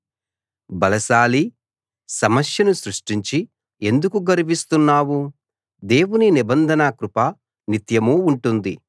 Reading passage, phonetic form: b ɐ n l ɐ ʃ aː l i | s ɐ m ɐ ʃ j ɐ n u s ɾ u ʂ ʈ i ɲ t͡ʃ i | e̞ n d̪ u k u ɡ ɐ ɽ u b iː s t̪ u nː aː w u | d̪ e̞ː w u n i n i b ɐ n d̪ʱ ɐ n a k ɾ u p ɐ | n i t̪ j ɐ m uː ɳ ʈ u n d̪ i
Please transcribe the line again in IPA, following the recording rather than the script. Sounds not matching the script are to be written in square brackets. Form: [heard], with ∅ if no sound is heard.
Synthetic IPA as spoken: b ɐ [∅] l ɐ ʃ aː l i | s ɐ m ɐ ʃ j ɐ n u s ɾ u ʂ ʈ i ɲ t͡ʃ i | e̞ n d̪ u k u ɡ ɐ [ɾ] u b [i] s t̪ u nː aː w u | d̪ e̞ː w u n i n i b ɐ n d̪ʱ ɐ n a k ɾ u p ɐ | n i t̪ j ɐ m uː ɳ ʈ u n d̪ i